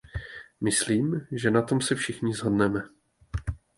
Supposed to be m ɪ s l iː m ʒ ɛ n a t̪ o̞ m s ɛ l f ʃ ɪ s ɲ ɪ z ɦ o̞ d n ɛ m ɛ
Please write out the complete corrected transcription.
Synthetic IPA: m ɪ s l iː m ʒ ɛ n a t̪ o̞ m s ɛ f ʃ ɪ x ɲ ɪ z ɦ o̞ d n ɛ m ɛ